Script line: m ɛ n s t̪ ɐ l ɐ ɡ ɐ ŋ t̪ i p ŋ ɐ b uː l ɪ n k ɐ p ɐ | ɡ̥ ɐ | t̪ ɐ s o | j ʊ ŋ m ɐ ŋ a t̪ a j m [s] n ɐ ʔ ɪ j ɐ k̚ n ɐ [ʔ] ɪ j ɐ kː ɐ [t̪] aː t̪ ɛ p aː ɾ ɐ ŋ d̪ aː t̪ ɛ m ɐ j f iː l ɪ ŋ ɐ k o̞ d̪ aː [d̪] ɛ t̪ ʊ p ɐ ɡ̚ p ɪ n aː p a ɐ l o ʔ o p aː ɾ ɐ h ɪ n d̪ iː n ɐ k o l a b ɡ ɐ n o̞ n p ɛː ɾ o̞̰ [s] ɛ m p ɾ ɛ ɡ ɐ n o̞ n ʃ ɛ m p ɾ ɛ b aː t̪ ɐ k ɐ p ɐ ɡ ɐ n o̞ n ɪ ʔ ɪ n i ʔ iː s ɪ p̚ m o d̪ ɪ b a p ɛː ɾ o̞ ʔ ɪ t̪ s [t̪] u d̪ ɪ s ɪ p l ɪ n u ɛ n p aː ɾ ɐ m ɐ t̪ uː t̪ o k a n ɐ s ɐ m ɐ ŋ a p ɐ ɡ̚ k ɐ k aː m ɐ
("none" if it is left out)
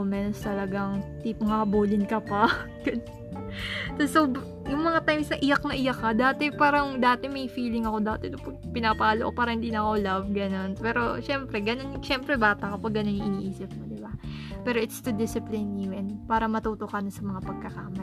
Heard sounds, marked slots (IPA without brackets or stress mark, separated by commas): s, ʔ, d̪, t̪, ʃ, t̪